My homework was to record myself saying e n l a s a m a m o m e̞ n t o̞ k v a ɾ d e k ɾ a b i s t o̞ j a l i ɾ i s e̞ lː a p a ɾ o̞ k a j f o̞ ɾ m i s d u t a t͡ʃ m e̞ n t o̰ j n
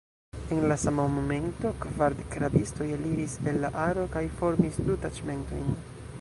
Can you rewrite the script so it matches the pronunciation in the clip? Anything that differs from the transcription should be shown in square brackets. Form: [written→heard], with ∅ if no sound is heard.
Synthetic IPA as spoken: e n l a s a m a m o m e̞ n t o̞ k v a ɾ d e k ɾ a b i s t o̞ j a l i ɾ i s e̞ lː a [p→ʔ] a ɾ o̞ k a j f o̞ ɾ m i s d u t a t͡ʃ m e̞ n t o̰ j n